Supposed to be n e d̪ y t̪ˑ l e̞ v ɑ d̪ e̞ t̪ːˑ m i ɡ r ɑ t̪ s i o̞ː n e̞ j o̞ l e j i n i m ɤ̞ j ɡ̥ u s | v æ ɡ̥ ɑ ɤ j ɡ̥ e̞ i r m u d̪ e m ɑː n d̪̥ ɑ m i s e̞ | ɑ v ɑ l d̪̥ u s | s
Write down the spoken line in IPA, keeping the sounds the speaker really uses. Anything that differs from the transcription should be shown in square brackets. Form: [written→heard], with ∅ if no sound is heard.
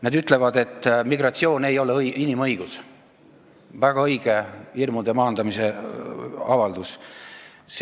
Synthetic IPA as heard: n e d̪ y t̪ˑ l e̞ v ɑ d̪ e̞ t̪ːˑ m i ɡ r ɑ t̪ s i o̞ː n e̞ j o̞ l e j i n i m ɤ̞ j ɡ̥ u s | v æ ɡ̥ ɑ ɤ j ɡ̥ e̞ i r m u d̪ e m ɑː n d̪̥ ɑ m i s e̞ | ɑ v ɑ l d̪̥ u s | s